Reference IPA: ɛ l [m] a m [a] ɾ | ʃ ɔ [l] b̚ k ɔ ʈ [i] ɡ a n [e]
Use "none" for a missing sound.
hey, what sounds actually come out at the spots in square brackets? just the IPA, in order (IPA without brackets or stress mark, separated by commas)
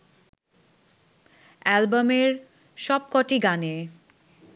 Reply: b, e, none, i, e